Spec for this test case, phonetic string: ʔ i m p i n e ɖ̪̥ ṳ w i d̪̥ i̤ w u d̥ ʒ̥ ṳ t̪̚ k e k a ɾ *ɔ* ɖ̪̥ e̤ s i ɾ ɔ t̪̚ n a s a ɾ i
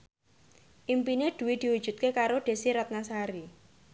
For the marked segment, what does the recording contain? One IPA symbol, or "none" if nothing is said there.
o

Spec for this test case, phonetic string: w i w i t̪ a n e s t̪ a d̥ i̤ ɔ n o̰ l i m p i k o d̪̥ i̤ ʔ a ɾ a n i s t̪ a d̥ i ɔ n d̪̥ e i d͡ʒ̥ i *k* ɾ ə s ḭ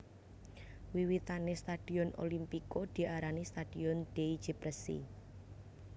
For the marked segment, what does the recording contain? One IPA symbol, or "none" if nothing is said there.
p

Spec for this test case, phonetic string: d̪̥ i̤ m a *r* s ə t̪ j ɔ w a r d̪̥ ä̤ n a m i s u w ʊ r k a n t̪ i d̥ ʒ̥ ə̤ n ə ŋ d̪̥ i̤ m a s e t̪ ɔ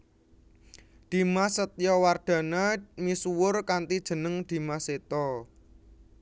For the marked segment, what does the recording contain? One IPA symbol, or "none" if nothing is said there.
none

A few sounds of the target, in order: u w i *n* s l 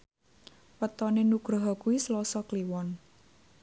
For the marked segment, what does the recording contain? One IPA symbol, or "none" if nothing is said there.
none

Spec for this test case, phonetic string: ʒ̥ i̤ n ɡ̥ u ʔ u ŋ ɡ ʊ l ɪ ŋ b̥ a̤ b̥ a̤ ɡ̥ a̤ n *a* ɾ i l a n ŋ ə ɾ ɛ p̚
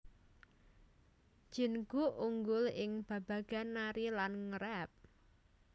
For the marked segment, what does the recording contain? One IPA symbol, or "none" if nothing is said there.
a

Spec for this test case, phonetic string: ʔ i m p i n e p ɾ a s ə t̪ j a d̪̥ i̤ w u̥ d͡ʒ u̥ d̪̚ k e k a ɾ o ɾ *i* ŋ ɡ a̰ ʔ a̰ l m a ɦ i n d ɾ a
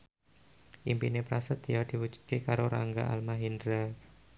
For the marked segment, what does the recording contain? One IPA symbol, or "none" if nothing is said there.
a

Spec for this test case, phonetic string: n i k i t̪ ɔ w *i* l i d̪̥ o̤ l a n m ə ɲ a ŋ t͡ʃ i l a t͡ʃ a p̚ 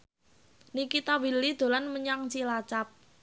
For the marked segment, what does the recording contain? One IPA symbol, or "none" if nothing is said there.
i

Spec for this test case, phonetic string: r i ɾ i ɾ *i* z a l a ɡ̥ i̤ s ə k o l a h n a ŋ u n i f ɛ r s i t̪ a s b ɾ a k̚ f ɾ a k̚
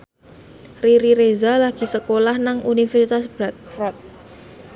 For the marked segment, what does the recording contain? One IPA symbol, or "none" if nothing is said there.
e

